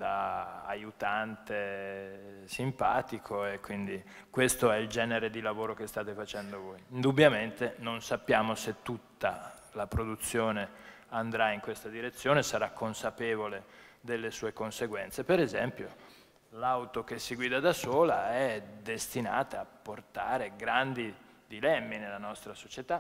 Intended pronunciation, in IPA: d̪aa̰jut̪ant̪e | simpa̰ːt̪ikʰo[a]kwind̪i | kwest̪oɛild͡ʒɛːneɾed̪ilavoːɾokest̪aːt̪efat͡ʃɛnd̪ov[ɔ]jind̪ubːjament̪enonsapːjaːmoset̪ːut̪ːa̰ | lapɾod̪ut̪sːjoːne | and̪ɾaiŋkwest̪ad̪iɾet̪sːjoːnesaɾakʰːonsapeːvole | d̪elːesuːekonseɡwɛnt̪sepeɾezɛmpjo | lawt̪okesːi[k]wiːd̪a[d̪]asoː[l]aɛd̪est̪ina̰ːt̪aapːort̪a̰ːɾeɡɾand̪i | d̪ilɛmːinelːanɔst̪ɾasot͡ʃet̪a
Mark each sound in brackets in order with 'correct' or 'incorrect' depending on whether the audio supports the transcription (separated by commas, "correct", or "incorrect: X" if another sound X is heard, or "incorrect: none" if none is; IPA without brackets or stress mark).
incorrect: e, incorrect: o, incorrect: ɡ, correct, correct